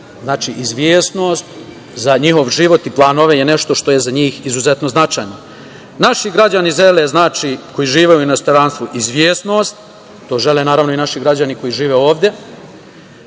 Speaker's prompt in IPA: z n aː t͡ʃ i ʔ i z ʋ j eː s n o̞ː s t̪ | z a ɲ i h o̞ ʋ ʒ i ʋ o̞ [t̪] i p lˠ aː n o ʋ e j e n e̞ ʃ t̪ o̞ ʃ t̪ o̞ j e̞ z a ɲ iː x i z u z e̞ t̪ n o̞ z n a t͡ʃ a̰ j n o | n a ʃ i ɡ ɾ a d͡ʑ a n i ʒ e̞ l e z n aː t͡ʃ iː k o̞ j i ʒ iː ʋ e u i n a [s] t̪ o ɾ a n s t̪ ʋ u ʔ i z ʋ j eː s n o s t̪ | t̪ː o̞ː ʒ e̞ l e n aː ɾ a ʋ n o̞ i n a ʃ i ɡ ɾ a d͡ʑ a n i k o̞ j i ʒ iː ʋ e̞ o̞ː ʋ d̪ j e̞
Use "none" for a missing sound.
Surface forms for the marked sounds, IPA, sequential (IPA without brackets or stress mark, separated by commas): t̪, s